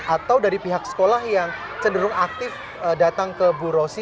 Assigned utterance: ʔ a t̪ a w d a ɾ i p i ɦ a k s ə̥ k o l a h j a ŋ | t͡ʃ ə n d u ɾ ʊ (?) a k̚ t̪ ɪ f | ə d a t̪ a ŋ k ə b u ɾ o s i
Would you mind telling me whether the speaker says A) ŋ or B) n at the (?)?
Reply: A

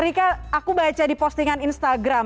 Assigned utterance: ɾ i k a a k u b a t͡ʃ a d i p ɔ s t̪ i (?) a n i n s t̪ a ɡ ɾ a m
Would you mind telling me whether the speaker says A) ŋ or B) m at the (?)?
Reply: A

